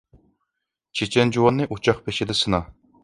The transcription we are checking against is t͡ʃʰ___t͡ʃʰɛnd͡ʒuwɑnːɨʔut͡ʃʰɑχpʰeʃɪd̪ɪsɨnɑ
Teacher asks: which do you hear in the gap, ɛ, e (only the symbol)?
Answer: e